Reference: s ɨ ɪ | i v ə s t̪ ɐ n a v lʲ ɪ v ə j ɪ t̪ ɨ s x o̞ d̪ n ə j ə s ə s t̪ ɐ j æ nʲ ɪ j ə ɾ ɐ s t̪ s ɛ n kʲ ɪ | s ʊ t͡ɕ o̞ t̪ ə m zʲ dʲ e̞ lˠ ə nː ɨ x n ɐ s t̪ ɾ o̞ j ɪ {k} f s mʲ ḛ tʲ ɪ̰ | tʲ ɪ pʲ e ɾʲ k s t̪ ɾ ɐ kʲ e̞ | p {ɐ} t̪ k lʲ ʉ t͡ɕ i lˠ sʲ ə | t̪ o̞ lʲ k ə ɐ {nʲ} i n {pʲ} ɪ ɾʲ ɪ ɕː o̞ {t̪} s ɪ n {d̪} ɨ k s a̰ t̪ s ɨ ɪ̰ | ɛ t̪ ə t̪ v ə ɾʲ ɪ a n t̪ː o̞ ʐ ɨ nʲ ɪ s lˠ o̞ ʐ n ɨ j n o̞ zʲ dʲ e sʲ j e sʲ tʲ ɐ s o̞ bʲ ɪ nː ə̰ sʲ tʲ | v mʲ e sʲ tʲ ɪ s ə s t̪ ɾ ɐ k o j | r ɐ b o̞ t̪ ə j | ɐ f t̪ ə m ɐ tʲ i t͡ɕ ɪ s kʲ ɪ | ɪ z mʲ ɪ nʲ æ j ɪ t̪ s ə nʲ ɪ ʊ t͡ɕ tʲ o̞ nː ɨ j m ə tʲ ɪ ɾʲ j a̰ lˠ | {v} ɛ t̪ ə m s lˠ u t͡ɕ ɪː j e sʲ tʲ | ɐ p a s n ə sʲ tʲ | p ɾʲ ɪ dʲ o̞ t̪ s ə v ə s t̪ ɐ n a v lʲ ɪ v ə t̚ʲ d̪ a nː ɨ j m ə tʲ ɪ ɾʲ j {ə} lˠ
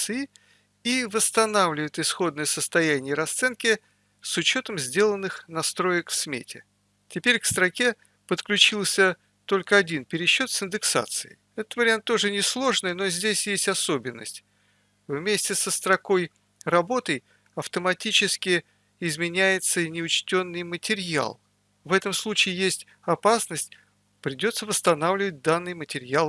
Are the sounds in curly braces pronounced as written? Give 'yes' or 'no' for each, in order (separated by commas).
yes, no, no, yes, yes, yes, yes, no